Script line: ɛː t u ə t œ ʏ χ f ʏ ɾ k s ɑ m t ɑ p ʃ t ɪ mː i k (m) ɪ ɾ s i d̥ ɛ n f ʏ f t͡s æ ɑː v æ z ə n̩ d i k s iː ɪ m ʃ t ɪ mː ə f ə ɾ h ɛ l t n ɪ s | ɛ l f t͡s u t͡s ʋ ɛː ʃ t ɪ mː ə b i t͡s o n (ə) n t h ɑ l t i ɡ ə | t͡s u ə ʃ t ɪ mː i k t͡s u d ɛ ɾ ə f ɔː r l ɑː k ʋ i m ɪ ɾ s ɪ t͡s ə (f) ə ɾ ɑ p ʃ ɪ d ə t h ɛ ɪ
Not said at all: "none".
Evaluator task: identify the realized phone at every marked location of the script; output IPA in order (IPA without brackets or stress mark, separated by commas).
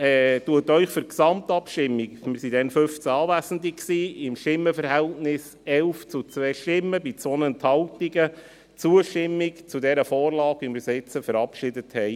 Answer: m, ə, f